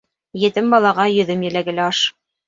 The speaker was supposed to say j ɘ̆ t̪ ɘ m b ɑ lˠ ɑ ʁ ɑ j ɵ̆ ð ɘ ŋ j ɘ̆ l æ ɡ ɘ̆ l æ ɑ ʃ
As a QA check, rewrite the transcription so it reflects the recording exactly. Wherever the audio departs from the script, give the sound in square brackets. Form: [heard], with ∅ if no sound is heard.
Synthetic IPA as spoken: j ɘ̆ t̪ ɘ m b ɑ lˠ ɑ ʁ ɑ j ɵ̆ ð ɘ [m] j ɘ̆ l æ ɡ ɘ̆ l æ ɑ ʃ

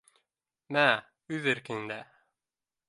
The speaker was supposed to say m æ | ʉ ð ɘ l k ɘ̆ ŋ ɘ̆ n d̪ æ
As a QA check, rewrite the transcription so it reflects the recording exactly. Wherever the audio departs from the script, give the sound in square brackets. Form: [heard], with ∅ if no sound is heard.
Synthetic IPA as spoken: m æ | ʉ ð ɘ [ɾ] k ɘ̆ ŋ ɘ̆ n d̪ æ

